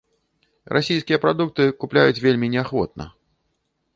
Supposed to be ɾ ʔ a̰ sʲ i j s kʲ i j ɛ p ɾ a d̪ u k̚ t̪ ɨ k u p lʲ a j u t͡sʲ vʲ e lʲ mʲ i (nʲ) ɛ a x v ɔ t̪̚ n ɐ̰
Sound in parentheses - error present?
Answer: no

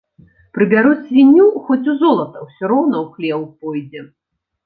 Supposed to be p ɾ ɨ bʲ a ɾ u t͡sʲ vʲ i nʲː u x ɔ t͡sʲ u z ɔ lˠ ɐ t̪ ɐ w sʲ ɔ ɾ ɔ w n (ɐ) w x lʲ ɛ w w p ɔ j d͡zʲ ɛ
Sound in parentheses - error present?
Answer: no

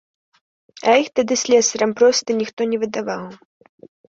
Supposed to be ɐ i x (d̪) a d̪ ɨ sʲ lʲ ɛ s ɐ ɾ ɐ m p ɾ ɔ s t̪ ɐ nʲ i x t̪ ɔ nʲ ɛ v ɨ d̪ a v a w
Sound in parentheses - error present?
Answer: yes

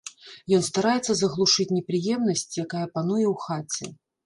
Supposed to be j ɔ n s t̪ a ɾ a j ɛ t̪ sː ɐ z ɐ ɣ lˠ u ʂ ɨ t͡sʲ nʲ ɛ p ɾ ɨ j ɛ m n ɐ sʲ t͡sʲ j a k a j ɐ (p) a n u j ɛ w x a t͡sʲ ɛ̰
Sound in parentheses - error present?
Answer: no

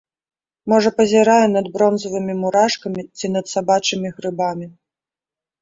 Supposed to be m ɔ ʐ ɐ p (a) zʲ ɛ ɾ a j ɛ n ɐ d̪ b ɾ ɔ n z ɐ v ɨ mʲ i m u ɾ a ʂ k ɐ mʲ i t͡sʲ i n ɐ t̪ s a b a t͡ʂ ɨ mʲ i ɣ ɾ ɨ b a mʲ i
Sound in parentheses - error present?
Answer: yes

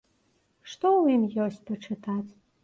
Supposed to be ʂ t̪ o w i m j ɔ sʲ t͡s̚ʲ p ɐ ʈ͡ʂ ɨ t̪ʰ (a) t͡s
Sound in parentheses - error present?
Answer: no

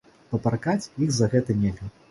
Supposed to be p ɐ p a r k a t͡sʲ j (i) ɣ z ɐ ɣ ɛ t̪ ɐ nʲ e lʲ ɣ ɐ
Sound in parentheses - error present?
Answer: no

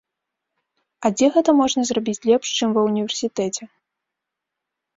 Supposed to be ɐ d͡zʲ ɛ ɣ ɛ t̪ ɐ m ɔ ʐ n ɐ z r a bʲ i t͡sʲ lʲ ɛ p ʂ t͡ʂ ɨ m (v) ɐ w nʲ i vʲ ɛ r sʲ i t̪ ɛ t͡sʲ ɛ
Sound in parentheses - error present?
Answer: no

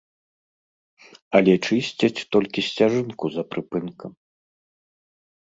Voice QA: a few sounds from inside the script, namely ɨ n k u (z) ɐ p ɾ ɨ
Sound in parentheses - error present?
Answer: no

